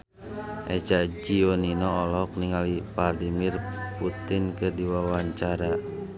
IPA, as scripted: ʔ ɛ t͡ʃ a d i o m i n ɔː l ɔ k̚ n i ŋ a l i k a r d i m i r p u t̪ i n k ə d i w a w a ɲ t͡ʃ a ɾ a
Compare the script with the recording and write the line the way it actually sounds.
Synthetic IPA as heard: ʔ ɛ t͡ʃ a d͡ʒ i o n i n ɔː l ɔ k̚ n i ŋ a l i p a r d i m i r p u t̪ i n k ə d i w a w a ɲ t͡ʃ a ɾ a